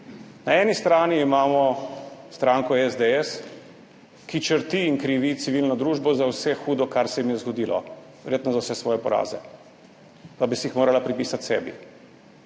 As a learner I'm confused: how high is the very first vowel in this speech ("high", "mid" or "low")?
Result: low